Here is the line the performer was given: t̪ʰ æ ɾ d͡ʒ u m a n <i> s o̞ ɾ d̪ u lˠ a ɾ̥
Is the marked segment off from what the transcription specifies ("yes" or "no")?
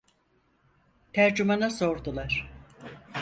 yes